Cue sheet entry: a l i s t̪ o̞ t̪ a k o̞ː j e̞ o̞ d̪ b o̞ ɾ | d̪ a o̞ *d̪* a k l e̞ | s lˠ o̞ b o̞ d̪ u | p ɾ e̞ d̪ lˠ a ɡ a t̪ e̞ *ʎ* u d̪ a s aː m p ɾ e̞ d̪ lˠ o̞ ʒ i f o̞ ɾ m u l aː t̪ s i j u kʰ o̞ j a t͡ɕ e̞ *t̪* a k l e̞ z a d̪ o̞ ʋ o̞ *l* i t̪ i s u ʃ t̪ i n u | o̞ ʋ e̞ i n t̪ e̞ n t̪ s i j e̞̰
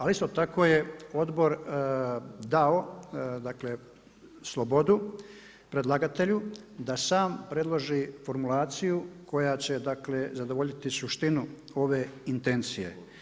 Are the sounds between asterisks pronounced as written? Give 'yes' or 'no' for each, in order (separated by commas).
yes, yes, no, no